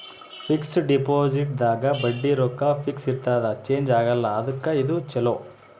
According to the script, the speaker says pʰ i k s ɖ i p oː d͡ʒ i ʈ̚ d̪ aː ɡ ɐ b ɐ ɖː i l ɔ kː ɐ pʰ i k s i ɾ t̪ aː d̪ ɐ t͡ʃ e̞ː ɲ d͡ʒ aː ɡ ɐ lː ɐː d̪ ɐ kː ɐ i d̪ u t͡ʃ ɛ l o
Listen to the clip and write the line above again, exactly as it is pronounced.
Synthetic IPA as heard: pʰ i k s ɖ i p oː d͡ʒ i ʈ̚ d̪ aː ɡ ɐ b ɐ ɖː i ɾ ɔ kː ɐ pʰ i k s i ɾ t̪ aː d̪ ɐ t͡ʃ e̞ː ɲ d͡ʒ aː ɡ ɐ lː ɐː d̪ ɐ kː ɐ i d̪ u t͡ʃ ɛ l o